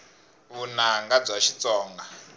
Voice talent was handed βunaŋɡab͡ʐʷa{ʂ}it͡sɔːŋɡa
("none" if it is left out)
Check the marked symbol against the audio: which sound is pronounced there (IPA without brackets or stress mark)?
ʃ